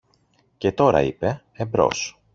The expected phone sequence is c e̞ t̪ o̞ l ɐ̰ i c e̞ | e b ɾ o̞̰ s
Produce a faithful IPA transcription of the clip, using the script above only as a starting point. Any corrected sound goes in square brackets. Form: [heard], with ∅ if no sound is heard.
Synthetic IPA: c e̞ t̪ o̞ [ɾ] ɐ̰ i [p] e̞ | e b ɾ o̞̰ s